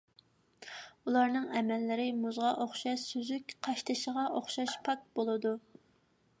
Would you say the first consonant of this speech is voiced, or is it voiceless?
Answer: voiced